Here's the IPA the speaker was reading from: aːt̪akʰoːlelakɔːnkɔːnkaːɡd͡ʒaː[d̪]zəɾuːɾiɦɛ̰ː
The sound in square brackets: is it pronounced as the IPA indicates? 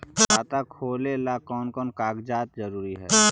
no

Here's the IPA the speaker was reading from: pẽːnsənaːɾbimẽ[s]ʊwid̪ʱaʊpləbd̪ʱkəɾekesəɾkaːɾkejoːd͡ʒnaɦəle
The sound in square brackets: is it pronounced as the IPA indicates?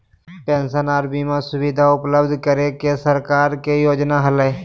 yes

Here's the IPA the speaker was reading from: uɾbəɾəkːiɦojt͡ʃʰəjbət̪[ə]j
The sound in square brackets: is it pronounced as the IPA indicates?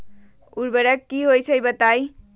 no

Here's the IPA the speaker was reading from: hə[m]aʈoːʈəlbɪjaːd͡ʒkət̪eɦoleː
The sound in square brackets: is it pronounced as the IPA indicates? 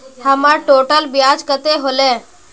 yes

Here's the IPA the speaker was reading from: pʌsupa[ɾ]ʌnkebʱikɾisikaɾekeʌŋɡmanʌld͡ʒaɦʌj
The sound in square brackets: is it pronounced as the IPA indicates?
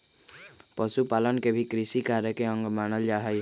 no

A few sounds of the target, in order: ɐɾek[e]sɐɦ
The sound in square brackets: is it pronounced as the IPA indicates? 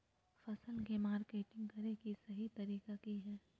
no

